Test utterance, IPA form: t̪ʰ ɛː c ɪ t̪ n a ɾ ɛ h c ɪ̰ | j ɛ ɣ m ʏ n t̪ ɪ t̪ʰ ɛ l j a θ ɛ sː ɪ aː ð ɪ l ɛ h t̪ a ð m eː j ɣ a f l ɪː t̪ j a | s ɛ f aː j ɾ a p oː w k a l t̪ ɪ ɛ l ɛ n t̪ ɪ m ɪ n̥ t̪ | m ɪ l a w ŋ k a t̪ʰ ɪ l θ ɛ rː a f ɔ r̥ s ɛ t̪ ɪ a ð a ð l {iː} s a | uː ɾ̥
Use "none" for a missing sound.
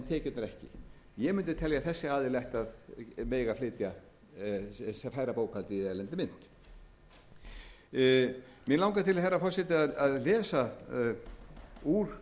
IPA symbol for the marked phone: ɛː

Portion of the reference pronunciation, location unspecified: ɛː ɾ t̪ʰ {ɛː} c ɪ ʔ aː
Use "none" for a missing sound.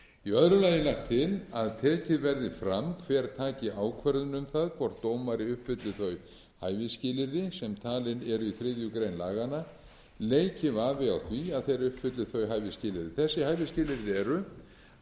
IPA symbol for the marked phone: aː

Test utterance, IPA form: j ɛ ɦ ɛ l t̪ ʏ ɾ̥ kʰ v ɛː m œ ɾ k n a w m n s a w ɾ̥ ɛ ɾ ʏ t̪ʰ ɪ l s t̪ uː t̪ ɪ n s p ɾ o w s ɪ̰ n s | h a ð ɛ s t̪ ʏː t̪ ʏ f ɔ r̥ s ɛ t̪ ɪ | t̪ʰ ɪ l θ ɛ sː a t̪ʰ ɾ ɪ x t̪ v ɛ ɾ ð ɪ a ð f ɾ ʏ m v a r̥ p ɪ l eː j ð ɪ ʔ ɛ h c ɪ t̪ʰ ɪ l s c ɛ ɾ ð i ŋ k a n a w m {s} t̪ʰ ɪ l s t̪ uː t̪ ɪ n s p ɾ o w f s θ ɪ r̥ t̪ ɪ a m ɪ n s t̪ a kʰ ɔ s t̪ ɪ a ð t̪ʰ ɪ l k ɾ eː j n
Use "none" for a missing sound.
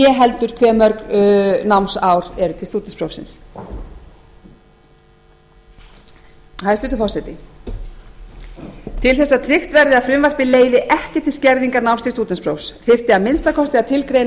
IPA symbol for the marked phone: s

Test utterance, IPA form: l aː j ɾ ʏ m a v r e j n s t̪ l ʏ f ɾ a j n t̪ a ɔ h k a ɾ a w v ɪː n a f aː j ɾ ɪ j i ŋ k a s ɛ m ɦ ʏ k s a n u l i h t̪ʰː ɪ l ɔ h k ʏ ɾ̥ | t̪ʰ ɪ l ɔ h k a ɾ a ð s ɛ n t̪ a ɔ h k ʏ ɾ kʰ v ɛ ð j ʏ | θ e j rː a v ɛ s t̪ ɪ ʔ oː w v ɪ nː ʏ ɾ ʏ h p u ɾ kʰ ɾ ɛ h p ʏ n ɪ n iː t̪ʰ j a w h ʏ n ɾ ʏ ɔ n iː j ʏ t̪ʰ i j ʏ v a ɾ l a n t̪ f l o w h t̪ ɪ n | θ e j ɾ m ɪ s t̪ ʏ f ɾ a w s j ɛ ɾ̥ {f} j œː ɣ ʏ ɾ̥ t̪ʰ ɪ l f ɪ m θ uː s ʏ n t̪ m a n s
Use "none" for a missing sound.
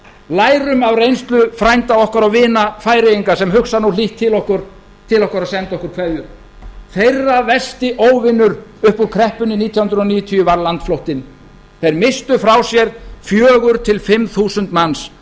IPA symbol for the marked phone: f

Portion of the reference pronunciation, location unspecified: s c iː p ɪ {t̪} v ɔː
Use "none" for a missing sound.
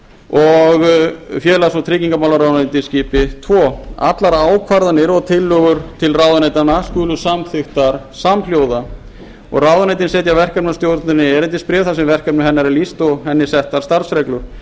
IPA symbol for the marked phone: t̪ʰ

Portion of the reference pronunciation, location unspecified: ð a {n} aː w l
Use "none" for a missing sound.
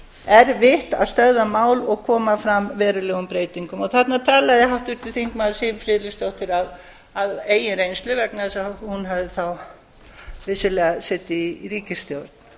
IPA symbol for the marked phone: m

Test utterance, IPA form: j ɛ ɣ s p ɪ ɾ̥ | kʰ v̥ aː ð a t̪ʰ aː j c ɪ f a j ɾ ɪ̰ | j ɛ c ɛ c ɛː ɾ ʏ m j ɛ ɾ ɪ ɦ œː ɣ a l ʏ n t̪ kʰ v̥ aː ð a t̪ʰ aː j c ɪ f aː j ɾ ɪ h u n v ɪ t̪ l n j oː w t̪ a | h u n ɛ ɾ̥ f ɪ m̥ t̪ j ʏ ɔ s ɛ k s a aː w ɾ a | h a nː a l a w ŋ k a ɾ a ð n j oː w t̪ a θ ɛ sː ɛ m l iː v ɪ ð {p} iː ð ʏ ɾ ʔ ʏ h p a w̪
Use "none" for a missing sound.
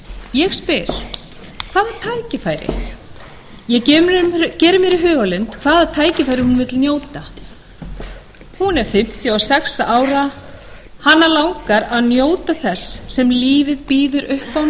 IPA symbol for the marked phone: p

